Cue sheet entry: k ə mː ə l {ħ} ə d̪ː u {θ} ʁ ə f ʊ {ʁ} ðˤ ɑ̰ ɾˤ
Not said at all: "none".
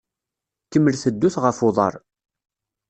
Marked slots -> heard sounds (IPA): θ, θ, none

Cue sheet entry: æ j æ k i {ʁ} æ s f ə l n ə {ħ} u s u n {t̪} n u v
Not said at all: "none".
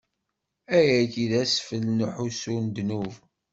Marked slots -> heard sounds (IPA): ð, ħ, d̪

